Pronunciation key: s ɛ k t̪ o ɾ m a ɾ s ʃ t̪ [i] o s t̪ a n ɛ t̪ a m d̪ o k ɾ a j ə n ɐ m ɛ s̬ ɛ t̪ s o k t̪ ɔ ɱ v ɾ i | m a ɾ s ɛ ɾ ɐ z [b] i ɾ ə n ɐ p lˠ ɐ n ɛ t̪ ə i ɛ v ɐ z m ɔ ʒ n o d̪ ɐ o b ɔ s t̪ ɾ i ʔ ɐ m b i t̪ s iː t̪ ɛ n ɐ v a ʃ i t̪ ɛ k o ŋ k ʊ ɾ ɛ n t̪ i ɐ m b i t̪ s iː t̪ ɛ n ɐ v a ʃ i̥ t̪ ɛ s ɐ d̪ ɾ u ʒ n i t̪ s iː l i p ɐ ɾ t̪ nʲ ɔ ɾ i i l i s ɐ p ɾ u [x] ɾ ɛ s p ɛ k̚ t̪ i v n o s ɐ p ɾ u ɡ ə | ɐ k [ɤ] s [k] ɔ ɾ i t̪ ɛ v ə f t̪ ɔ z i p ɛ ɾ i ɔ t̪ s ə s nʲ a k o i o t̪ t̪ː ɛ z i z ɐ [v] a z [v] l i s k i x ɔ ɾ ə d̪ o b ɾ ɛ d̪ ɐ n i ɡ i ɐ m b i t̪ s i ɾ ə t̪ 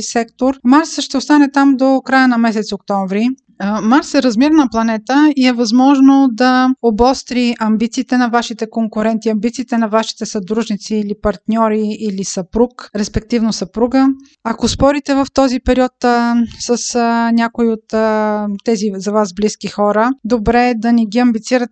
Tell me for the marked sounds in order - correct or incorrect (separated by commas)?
incorrect, incorrect, incorrect, incorrect, incorrect, correct, incorrect